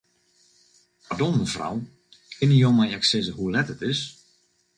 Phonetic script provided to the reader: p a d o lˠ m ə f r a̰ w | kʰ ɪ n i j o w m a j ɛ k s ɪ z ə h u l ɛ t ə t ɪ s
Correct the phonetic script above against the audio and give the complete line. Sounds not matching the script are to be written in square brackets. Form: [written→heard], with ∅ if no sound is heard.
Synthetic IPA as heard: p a d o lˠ m ə f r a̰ w | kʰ ɪ n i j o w m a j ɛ k s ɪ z ə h u l ɛ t ə t ɪ s